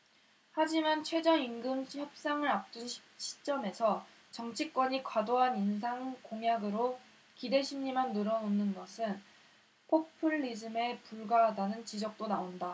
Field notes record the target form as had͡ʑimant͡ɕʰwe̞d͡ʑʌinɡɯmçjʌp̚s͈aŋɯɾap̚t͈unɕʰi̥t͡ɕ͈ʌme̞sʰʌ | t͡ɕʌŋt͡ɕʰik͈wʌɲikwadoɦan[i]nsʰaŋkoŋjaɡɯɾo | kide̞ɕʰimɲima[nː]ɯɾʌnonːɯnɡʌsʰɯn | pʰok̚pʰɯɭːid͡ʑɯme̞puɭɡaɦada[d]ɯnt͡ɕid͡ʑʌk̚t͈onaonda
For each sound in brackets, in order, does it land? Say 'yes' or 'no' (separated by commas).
yes, yes, no